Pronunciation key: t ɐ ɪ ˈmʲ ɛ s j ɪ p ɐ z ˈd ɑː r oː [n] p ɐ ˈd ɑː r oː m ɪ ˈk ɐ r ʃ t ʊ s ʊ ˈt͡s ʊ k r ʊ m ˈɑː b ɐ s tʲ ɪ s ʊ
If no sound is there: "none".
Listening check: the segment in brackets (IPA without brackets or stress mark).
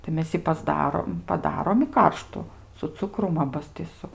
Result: m